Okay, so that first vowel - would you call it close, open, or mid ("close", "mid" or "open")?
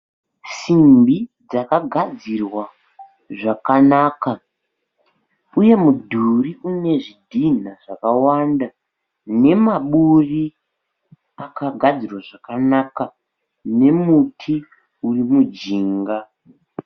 close